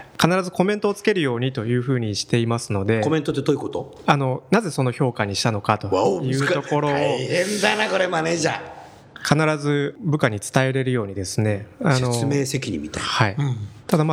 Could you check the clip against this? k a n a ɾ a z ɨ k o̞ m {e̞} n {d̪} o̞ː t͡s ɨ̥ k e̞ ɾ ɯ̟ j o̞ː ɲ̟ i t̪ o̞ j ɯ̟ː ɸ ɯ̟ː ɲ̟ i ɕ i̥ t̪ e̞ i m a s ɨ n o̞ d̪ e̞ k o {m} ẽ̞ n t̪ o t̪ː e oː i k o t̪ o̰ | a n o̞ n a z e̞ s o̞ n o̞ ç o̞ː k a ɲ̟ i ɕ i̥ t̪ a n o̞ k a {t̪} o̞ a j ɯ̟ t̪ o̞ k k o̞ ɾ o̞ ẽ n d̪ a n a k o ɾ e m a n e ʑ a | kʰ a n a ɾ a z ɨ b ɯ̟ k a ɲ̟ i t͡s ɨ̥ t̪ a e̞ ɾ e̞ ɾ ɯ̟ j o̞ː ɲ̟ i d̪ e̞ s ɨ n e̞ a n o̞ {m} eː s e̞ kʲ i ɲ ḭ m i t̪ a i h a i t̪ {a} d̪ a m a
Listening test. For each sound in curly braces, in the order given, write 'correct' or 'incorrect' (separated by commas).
incorrect, incorrect, correct, correct, correct, correct